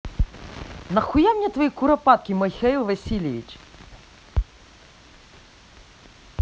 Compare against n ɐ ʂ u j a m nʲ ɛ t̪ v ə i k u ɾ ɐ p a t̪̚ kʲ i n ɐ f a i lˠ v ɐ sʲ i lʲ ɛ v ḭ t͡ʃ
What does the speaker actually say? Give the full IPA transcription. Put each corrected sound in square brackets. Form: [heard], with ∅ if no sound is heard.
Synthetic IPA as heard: n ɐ [x] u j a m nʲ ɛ t̪ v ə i k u ɾ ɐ p a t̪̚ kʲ i [m] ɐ [x] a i lˠ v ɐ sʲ i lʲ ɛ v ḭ t͡ʃ